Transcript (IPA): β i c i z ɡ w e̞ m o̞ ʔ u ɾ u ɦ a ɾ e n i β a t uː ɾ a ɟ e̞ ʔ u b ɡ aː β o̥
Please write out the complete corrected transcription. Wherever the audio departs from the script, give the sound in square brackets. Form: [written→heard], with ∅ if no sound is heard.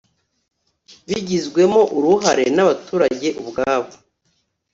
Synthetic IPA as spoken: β i [c→ɟ] i z ɡ w e̞ m o̞ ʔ u ɾ u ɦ a ɾ e n [i→a] β a t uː ɾ a ɟ e̞ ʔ u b ɡ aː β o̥